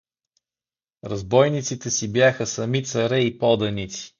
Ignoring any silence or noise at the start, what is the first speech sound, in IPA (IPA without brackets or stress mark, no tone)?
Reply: ɾ